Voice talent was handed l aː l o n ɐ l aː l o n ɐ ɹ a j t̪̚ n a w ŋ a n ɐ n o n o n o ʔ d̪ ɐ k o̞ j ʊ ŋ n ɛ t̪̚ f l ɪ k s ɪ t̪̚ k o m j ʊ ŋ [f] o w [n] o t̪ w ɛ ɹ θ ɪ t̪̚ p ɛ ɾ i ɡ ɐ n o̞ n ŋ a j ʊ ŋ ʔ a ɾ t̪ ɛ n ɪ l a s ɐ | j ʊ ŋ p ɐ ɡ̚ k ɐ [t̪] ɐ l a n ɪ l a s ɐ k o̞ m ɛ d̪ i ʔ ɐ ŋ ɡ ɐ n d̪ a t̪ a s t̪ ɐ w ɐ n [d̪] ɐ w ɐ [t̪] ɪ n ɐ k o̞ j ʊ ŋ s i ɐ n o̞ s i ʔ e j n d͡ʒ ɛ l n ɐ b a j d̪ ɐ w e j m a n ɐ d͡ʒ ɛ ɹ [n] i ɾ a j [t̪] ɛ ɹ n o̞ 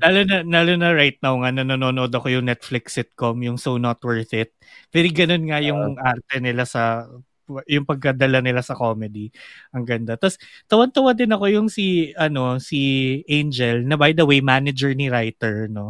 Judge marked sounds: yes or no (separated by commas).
no, yes, no, no, no, yes, yes